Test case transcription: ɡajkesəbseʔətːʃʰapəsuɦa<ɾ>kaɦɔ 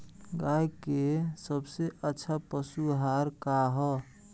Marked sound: correct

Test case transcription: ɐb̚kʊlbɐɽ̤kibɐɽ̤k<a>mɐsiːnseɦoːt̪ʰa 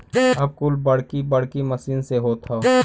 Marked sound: incorrect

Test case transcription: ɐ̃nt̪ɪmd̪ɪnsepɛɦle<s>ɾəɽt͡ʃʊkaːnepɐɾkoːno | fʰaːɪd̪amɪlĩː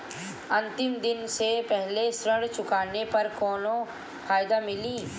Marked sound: correct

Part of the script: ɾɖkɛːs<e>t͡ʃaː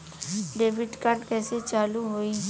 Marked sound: correct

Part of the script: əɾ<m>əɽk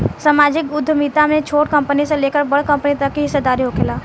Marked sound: incorrect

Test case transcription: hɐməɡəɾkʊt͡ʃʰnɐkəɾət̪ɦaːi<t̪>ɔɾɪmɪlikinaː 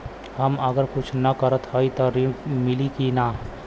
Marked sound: correct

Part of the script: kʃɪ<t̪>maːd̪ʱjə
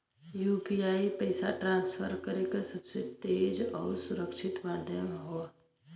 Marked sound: correct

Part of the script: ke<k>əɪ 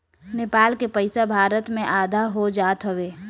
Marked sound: incorrect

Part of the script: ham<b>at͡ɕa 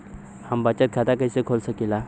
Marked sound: correct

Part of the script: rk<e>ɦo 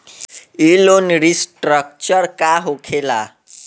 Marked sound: incorrect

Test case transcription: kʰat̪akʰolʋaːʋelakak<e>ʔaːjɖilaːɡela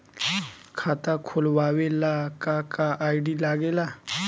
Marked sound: incorrect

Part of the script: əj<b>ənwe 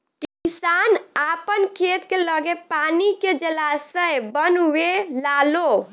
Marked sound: correct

